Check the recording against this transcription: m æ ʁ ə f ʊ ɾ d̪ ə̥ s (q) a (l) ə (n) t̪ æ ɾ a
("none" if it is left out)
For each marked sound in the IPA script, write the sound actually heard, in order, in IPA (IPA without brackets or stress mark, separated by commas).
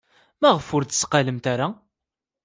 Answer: q, l, m